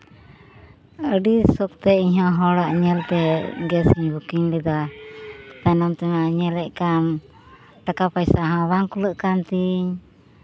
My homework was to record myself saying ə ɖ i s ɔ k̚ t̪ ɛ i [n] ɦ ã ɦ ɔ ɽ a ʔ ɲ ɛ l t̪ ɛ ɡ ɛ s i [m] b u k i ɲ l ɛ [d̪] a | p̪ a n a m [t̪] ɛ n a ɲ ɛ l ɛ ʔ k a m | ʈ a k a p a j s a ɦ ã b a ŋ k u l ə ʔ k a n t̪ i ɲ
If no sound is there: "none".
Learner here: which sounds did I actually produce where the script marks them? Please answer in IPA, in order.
ɲ, ɲ, d̪, t̪

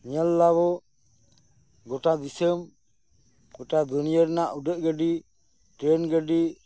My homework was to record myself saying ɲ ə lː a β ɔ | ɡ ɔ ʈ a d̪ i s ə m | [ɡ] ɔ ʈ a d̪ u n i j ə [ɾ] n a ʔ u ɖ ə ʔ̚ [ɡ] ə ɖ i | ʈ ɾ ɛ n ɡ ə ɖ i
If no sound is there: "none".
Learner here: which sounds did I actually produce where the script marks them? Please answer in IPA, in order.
ɡ, ɾ, ɡ

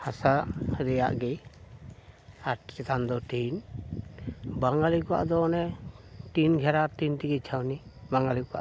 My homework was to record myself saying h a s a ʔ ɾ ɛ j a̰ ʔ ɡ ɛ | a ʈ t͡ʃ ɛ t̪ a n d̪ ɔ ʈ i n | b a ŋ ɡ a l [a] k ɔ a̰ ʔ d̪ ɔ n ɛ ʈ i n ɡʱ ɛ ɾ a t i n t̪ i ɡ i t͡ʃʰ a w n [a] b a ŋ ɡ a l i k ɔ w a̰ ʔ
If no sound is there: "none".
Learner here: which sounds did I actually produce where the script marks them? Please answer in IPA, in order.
i, i

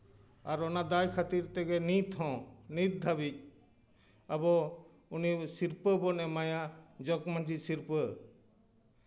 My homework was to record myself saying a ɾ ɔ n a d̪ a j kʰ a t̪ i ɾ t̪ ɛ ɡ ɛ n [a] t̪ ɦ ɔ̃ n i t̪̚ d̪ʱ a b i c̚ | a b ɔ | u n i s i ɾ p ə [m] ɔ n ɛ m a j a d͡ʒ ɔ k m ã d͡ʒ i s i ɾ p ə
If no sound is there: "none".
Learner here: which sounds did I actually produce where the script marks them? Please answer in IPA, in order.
i, b

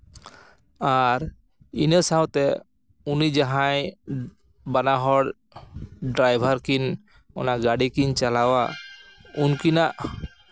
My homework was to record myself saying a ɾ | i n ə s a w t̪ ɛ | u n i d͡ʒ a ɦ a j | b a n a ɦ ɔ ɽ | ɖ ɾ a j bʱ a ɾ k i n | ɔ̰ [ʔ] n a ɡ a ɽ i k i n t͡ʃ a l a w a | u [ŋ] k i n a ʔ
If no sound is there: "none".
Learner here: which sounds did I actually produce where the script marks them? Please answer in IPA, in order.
none, n

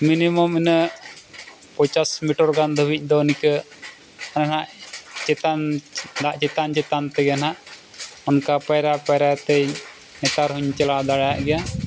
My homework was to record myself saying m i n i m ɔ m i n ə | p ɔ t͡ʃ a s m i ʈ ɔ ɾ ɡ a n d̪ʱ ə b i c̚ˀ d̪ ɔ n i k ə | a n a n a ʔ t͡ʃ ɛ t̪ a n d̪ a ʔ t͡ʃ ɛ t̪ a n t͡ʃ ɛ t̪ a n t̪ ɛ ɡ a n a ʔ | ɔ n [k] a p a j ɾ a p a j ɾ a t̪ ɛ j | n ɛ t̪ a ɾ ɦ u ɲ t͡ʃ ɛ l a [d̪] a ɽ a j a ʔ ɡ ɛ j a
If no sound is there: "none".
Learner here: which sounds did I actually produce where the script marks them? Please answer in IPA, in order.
k, d̪

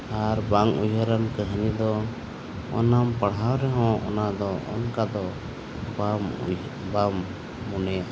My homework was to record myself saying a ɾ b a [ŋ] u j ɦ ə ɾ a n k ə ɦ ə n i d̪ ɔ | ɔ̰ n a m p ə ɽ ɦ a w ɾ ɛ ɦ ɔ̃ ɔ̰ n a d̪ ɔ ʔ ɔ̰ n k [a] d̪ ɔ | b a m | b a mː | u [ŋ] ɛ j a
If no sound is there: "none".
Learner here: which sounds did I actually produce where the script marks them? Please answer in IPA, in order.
ŋ, a, n

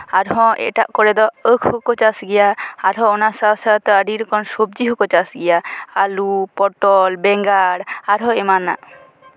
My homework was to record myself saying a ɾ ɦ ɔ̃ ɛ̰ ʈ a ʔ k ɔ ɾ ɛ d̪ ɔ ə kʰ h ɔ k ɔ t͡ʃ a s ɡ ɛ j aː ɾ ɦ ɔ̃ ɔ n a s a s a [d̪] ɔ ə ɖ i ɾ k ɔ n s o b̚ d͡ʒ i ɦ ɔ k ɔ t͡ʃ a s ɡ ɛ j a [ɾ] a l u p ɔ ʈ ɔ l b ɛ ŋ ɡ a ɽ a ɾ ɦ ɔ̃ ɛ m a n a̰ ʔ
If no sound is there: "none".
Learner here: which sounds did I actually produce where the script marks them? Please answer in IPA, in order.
t̪, none

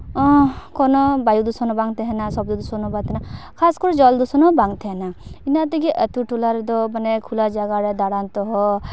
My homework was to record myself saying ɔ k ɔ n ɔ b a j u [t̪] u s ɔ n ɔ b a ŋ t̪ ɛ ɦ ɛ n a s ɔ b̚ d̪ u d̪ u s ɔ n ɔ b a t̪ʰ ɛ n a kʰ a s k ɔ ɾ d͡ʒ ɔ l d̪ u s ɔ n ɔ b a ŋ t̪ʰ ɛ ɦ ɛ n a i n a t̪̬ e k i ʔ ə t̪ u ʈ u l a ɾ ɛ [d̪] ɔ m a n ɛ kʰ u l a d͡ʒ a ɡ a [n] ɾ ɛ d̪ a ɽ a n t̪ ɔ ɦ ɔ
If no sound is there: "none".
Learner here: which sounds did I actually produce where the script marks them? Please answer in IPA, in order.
d̪, d̪, none

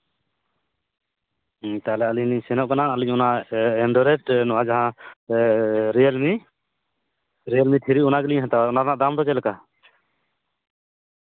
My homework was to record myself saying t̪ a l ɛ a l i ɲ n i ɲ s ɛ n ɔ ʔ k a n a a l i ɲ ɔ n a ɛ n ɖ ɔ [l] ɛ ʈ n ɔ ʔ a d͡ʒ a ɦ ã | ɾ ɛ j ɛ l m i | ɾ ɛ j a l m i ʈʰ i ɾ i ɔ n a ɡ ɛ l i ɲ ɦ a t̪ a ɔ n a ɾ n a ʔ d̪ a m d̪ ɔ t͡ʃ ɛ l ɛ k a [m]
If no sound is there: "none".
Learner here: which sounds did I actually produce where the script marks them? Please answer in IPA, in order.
ɾ, none

